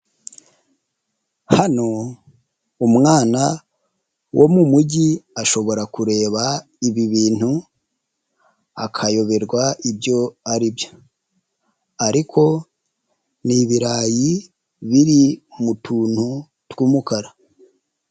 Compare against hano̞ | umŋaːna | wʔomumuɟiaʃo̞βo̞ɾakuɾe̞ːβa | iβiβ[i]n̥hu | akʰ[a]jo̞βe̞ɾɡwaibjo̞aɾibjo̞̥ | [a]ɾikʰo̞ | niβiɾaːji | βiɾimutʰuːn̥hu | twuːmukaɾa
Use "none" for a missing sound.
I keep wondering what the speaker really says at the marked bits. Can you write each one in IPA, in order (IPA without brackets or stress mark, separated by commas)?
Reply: iː, a, a